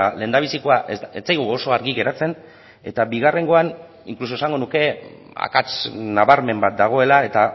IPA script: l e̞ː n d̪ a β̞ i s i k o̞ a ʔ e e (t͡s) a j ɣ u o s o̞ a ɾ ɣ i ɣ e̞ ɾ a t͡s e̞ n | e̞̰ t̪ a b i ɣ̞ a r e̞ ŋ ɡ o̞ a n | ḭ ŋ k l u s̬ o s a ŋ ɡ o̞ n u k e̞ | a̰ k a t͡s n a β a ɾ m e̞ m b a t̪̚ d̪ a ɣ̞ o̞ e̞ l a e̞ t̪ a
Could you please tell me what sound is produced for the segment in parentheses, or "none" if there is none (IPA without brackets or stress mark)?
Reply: t͡s